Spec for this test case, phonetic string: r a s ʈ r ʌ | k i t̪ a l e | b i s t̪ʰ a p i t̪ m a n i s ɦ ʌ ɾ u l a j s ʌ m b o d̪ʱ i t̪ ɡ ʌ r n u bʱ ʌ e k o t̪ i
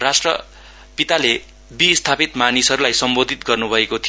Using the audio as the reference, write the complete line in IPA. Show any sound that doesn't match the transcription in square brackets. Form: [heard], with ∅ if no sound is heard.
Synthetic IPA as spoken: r a s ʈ r ʌ | [p] i t̪ a l e | b i s t̪ʰ a p i t̪ m a n i s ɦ ʌ ɾ u l a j s ʌ m b o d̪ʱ i t̪ ɡ ʌ r n u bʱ ʌ e k o [t̪ʰ] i

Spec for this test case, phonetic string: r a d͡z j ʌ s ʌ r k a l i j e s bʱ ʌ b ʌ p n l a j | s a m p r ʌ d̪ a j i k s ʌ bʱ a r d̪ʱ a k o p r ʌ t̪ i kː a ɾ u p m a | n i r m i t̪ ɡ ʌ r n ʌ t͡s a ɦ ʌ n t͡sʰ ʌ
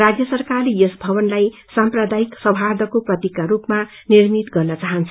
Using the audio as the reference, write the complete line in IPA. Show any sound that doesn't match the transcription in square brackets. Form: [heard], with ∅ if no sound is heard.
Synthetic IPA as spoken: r a d͡z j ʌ s ʌ r k a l i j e s bʱ ʌ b ʌ [∅] n l a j | s a m p r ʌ d̪ a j i k s ʌ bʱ a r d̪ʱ [ʌ] k o p r ʌ t̪ i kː a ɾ u p m a | n i r m i t̪ ɡ ʌ r n ʌ t͡s a ɦ ʌ n t͡sʰ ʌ

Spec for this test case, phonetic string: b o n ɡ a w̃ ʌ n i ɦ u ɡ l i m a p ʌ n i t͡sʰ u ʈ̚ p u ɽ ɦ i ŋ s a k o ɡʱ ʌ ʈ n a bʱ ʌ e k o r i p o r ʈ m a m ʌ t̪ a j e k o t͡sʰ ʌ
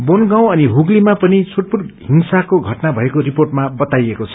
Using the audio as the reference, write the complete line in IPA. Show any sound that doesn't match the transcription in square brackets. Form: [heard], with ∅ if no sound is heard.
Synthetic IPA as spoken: b o n ɡ a w̃ ʌ n i ɦ u ɡ l i m a p ʌ n i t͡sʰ u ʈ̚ p u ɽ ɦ i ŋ s a k o ɡʱ ʌ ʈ n a bʱ ʌ e k o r i p o r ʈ m a [b] ʌ t̪ a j e k o t͡sʰ ʌ

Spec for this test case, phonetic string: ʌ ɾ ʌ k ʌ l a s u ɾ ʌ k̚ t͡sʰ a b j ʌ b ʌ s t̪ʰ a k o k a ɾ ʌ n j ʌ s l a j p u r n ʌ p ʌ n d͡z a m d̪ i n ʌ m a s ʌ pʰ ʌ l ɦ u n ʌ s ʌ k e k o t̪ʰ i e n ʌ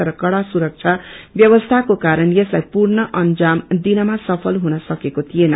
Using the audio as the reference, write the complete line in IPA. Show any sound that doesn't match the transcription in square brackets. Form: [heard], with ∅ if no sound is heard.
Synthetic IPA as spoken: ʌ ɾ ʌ k ʌ [ɽ] a s u ɾ ʌ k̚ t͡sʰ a b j ʌ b ʌ s t̪ʰ a k o k a ɾ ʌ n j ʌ s l a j p u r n ʌ [ʔ] ʌ n d͡z a m d̪ i n ʌ m a s ʌ pʰ ʌ l ɦ u n ʌ s ʌ k e k o t̪ʰ i e n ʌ

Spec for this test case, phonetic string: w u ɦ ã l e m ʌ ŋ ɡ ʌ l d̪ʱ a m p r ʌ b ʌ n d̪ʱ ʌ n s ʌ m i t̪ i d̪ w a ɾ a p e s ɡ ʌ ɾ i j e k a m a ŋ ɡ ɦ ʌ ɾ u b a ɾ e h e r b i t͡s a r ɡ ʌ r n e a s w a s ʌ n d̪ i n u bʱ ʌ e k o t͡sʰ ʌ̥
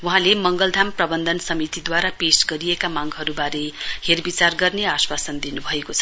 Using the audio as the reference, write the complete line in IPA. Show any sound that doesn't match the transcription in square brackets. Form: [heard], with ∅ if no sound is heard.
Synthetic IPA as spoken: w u ɦ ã l e m ʌ ŋ ɡ ʌ l d̪ʱ a m p r ʌ b ʌ n d̪ʱ ʌ n s ʌ m i t̪ i d̪ w a ɾ a p e s ɡ ʌ ɾ i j e k a m a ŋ ɡ ɦ ʌ ɾ u b a ɾ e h e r b i t͡s a r ɡ ʌ r n e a s w a s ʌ n d̪ i n u bʱ ʌ e k o t͡sʰ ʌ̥

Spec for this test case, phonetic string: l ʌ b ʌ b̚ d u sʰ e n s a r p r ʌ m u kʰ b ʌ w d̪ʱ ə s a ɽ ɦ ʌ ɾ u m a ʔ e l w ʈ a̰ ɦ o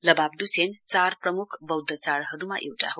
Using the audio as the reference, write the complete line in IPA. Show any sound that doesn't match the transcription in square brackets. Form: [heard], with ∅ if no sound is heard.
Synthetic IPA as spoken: l ʌ b [a] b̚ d u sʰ e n [t͡s] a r p r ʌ m u kʰ b ʌ w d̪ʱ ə [t͡s] a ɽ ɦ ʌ ɾ u m a ʔ e [∅] w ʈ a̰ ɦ o

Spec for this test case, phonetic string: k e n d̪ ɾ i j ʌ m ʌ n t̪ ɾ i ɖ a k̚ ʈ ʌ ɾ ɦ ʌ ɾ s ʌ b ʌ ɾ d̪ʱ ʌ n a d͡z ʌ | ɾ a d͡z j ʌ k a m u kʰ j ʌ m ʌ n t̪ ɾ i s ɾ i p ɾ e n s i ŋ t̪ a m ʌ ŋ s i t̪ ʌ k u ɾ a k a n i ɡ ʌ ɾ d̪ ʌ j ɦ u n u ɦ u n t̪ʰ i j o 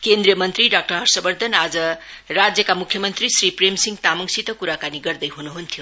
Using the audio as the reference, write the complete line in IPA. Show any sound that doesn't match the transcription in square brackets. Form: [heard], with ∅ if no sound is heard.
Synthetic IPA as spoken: k e n d̪ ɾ i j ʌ m ʌ n t̪ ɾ i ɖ a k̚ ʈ ʌ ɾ ɦ ʌ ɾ s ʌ b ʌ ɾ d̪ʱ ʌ n a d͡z ʌ | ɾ a d͡z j ʌ k a m u kʰ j ʌ m ʌ n t̪ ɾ i s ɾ i p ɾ e [m] s i ŋ t̪ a m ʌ ŋ s i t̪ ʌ k u ɾ a k a n i ɡ ʌ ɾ d̪ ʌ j ɦ u n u ɦ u n t̪ʰ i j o

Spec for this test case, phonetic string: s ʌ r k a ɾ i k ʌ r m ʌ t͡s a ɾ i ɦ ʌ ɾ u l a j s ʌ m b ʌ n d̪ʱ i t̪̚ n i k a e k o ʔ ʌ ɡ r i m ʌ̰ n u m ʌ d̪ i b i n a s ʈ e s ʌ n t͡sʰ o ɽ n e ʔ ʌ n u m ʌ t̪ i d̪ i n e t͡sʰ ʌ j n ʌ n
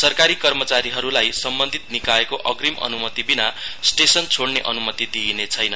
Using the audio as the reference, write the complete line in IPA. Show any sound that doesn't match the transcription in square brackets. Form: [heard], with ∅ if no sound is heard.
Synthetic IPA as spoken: s ʌ r k a ɾ i k ʌ r m ʌ t͡s a ɾ i ɦ ʌ ɾ u l a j s ʌ m b ʌ n d̪ʱ i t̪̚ n i k a e k o ʔ ʌ ɡ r i m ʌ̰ n u m ʌ [t̪] i b i n a s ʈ e s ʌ n t͡sʰ o ɽ n e ʔ ʌ n u m ʌ t̪ i d̪ i n e t͡sʰ ʌ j n ʌ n

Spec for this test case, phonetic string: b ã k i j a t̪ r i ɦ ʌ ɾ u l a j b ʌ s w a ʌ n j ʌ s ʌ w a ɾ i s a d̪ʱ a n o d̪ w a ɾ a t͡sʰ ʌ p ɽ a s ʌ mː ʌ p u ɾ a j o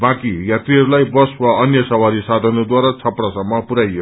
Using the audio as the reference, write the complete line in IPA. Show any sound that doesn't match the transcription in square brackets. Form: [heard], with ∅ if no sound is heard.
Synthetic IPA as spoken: b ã k i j a t̪ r i ɦ ʌ ɾ u l a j b ʌ s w a ʌ n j ʌ s ʌ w a ɾ i s a d̪ʱ [ʌ] n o d̪ w a ɾ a t͡sʰ ʌ p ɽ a s ʌ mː ʌ p u ɾ a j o

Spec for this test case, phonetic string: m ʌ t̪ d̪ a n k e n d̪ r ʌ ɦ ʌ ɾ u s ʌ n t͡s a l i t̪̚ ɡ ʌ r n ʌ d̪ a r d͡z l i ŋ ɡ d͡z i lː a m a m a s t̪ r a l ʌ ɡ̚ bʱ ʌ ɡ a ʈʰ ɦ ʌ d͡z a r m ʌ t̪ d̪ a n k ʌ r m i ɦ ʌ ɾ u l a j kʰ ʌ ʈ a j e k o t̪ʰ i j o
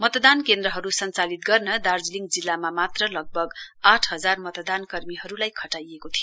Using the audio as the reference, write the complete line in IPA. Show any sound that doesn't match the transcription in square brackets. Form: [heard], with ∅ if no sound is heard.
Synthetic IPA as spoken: m ʌ t̪ d̪ a n k e n d̪ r ʌ ɦ ʌ ɾ u s ʌ n t͡s a l i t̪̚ ɡ ʌ r n ʌ d̪ a r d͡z l i ŋ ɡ d͡z i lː a m a m a [∅] t̪ r [ʌ] l ʌ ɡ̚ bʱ ʌ ɡ a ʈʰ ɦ ʌ d͡z a r m ʌ t̪ d̪ a n k ʌ r m i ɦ ʌ ɾ u l a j kʰ ʌ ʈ a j e k o t̪ʰ i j o

